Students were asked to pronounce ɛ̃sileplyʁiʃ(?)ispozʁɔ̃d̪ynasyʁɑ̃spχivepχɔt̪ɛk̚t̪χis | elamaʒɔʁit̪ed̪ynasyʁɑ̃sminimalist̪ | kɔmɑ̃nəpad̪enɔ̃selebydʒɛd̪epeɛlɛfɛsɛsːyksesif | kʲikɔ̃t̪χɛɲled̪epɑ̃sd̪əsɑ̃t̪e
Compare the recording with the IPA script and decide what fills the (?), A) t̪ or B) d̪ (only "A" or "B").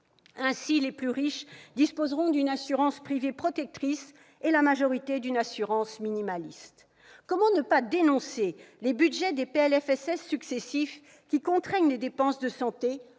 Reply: B